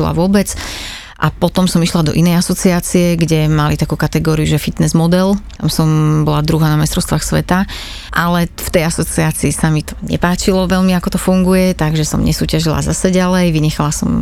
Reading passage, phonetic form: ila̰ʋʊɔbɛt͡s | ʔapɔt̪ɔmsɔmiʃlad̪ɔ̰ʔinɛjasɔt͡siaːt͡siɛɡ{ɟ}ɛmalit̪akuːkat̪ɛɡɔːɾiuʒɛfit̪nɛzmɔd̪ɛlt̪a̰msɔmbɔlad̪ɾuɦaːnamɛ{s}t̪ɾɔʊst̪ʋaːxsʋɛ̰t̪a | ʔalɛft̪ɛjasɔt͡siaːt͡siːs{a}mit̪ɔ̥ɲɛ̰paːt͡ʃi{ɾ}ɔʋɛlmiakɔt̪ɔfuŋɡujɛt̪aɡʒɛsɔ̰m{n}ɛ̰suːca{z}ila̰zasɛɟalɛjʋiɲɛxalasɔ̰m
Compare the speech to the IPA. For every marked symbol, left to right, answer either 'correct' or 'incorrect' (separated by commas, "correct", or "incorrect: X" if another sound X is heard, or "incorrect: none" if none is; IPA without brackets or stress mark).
correct, correct, correct, incorrect: l, incorrect: ɲ, incorrect: ʒ